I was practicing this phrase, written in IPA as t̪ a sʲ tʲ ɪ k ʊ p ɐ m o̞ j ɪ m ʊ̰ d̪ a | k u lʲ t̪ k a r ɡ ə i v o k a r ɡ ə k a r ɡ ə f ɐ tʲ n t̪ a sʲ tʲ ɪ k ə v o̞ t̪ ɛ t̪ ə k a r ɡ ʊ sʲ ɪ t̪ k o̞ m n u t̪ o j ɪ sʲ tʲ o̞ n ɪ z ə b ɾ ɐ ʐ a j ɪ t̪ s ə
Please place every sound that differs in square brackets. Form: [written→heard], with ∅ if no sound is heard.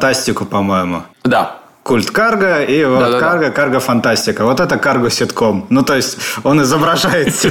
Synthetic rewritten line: t̪ a sʲ tʲ ɪ k ʊ p ɐ m o̞ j ɪ m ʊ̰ d̪ a | k u lʲ t̪ k a r ɡ ə i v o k a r ɡ ə k a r ɡ ə f ɐ [tʲ→∅] n t̪ a sʲ tʲ ɪ k ə v o̞ t̪ ɛ t̪ ə k a r ɡ ʊ sʲ ɪ t̪ k o̞ m n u t̪ o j ɪ sʲ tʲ o̞ n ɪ z ə b ɾ ɐ ʐ a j ɪ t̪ s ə